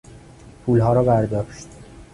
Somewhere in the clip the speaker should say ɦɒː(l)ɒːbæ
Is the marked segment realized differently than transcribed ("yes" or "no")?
yes